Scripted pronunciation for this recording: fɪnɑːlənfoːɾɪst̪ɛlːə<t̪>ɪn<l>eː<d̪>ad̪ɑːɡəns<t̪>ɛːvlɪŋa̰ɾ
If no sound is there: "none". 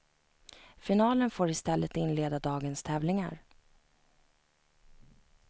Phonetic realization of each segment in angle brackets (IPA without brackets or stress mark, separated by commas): t̪, l, d̪, t̪ʰ